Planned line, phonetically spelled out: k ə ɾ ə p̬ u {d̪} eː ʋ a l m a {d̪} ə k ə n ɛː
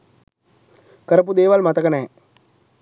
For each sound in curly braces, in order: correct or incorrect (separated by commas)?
correct, incorrect